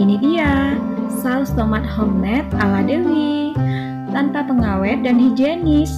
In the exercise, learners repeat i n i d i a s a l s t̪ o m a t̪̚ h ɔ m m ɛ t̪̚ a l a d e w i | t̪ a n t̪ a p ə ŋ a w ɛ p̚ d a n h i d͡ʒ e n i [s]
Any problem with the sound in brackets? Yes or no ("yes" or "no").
no